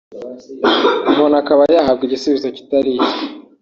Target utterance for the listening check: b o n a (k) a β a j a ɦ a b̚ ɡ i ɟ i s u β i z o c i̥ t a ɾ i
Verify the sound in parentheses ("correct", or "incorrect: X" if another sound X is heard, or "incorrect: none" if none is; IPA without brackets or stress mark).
correct